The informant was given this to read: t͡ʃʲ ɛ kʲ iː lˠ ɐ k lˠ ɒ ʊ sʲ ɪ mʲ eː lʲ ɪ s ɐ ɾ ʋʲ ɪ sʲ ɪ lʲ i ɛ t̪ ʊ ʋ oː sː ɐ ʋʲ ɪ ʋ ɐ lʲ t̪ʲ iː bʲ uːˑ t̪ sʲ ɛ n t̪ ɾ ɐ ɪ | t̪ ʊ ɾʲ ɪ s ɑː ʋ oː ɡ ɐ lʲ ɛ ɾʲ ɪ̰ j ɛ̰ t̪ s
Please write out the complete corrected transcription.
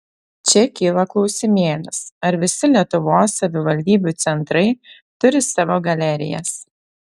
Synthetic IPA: t͡ʃʲ ɛ kʲ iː lˠ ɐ k lˠ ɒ ʊ sʲ ɪ mʲ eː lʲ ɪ s ɐ ɾ ʋʲ ɪ sʲ ɪ lʲ i ɛ t̪ ʊ ʋ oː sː ɐ ʋʲ ɪ ʋ ɐ lʲ d̪ʲ iː bʲ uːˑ t̪ sʲ ɛ n t̪ ɾ ɐ ɪ | t̪ ʊ ɾʲ ɪ s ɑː ʋ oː ɡ ɐ lʲ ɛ ɾʲ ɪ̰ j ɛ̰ s